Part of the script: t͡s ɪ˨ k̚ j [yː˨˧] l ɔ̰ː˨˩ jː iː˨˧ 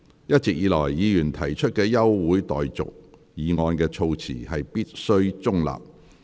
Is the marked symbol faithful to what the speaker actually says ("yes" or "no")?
no